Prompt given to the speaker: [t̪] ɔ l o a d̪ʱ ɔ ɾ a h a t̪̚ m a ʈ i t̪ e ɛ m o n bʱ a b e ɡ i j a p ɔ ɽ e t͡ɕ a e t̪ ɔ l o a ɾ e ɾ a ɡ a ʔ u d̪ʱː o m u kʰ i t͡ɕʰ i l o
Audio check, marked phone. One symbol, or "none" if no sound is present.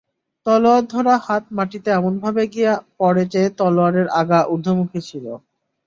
t̪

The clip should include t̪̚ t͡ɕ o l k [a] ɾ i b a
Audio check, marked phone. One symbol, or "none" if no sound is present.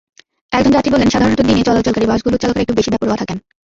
a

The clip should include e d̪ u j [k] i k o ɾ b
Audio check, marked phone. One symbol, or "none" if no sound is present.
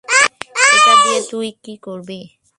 k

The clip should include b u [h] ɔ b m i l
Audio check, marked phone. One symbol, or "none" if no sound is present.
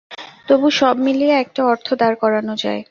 ʃ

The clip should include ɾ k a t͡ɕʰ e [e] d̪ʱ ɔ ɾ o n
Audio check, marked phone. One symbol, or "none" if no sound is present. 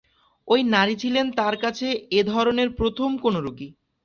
e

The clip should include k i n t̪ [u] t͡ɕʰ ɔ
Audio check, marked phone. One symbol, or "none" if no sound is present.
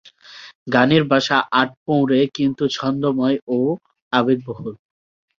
u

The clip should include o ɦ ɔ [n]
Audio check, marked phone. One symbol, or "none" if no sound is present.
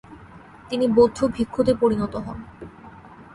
n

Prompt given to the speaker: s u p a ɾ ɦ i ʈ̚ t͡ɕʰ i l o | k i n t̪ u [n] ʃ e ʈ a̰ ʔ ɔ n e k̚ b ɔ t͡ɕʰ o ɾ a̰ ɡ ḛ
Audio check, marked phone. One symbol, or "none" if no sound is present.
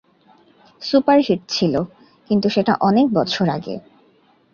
none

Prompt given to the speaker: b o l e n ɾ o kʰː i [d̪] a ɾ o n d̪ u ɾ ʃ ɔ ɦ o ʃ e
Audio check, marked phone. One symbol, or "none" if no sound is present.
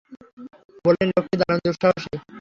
d̪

